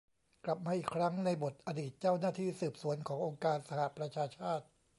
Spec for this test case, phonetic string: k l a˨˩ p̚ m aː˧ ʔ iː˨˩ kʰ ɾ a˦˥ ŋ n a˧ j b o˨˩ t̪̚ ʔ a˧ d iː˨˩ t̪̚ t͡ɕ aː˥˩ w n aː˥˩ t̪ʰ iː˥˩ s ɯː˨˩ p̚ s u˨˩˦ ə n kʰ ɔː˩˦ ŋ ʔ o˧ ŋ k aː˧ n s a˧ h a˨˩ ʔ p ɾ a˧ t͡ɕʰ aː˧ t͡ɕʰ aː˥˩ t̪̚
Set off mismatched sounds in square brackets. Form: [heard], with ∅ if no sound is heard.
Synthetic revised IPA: k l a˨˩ p̚ m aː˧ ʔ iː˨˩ kʰ ɾ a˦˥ ŋ n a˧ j b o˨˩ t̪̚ ʔ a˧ d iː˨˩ t̪̚ t͡ɕ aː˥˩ w n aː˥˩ t̪ʰ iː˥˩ s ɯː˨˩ p̚ s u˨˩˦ ə n kʰ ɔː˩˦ ŋ ʔ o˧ ŋ k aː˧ n s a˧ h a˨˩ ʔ p ɾ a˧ t͡ɕʰ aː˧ t͡ɕʰ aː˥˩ t̪̚